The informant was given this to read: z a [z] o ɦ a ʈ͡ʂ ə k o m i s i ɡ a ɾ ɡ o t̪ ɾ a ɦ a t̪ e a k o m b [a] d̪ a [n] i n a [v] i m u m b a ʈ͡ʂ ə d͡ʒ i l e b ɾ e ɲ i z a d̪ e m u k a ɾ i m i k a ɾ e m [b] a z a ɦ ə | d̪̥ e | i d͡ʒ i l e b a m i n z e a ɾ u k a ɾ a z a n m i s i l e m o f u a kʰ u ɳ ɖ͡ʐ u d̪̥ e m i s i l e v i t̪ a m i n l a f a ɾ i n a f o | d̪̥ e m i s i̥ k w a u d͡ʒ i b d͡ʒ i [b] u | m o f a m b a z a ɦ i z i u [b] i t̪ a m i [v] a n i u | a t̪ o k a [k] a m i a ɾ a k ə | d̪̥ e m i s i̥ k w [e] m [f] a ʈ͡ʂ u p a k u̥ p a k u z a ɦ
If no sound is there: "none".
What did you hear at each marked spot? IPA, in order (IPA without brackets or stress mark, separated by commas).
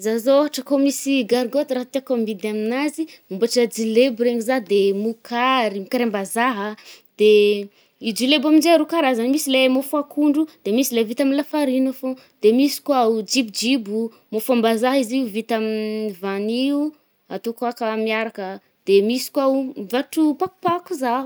z, i, m, z, b, b, v, v, k, a, v